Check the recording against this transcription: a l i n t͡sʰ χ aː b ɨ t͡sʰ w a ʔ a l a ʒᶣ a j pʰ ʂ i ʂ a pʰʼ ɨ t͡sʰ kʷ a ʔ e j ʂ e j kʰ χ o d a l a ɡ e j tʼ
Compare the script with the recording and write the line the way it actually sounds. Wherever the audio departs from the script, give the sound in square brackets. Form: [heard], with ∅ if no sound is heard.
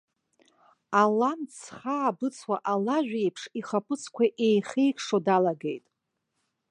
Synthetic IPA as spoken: a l [a] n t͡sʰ χ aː b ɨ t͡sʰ w a ʔ a l a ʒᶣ [e] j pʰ ʂ i [χ] a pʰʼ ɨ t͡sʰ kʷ a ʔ e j [χ] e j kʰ [ʂ] o d a l a ɡ e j tʼ